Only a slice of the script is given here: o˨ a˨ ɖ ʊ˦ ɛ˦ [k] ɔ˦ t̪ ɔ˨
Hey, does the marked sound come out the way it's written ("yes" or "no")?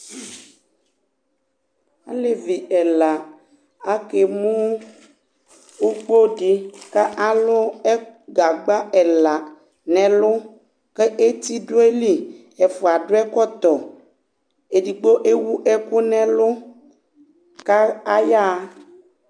yes